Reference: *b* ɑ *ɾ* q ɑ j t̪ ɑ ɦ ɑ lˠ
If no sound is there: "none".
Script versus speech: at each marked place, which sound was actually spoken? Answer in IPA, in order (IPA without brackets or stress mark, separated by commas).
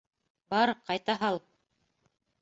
b, ɾ